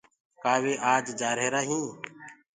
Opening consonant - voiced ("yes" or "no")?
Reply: no